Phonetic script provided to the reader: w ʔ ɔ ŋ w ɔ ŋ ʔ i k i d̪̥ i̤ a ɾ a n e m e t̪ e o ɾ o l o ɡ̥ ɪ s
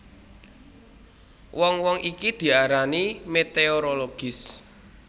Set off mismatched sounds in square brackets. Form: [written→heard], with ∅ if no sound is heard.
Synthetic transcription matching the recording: w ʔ ɔ ŋ w ɔ ŋ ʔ i k i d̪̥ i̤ a ɾ a n [e→i] m e t̪ e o ɾ o l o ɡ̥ ɪ s